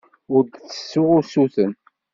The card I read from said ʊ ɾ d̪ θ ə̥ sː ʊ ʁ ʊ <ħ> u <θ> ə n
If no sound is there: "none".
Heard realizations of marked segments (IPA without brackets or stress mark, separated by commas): s, θ